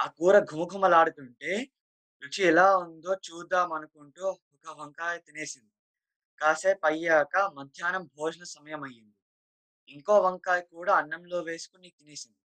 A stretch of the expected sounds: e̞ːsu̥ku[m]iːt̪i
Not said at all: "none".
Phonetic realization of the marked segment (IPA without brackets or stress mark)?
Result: n